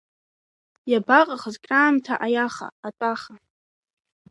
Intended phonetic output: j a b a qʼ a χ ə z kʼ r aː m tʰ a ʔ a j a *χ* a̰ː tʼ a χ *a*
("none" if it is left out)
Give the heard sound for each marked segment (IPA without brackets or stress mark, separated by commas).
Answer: χ, a